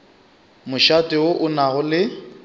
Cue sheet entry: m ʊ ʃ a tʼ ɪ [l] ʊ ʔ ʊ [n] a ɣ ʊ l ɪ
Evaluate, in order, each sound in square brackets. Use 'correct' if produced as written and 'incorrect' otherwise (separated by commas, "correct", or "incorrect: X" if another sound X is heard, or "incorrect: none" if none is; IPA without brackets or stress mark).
incorrect: none, correct